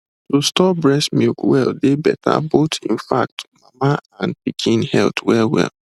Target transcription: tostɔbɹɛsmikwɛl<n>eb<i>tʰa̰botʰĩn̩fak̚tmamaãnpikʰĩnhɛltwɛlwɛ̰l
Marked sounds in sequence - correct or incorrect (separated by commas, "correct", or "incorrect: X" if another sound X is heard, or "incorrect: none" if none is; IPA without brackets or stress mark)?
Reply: incorrect: d, incorrect: ɛ